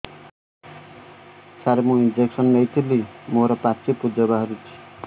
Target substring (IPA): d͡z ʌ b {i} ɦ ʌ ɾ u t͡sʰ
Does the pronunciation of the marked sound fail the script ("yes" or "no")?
yes